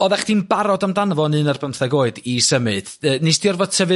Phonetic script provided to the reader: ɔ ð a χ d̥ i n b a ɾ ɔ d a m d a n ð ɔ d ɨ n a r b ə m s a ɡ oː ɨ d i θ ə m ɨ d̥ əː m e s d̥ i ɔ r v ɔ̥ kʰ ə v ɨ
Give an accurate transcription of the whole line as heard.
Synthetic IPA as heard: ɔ ð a χ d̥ i n b a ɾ ɔ d a m d a n v ɔ n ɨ n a r b ə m θ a ɡ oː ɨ d i s ə m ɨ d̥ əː n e s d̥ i ɔ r v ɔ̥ tʰ ə v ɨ